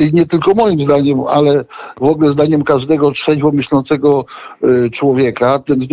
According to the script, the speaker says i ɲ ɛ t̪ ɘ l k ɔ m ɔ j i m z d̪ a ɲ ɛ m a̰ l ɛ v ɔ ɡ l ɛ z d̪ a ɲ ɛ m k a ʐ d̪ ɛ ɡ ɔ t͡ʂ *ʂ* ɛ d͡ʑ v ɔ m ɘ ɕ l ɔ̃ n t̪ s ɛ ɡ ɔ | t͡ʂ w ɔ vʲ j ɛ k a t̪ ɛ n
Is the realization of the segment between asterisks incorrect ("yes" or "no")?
no